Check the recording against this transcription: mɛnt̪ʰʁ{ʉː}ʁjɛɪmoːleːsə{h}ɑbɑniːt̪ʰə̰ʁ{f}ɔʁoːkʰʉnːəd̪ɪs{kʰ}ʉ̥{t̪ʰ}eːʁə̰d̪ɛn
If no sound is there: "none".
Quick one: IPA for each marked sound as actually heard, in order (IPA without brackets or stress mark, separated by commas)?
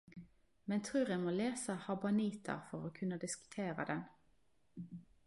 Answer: ʉː, h, f, k, t̪ʰ